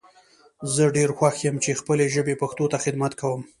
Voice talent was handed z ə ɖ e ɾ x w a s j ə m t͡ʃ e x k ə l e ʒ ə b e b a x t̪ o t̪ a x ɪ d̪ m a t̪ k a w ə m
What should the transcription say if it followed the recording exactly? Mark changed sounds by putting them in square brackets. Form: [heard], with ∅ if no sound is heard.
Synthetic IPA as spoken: z ə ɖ e ɾ x w a [x] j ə m t͡ʃ e x [p] ə l e ʒ ə b e [p] a x t̪ o t̪ a x ɪ d̪ m a t̪ k a w ə m